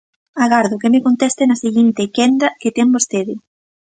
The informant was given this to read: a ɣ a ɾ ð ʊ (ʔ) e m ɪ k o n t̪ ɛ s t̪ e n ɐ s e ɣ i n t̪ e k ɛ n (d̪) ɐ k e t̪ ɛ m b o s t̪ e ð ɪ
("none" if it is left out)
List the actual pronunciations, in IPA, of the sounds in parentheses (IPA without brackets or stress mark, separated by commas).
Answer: k, d̪